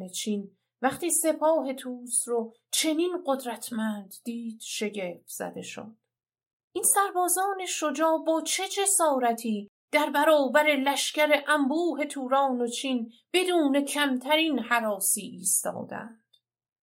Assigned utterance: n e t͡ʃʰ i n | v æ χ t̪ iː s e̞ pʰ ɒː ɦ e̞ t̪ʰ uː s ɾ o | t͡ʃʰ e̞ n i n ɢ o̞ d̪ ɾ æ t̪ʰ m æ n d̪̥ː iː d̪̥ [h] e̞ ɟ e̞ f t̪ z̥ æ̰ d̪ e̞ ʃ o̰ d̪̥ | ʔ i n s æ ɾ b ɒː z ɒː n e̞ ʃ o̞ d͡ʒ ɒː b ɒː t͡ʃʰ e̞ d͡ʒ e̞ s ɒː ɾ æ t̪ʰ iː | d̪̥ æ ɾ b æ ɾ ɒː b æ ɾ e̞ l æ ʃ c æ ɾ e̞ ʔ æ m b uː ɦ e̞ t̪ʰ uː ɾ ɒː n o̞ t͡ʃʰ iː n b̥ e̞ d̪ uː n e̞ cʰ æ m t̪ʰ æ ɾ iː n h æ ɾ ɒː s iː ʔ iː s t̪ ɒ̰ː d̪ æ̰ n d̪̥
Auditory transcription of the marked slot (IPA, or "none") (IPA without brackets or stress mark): ʃ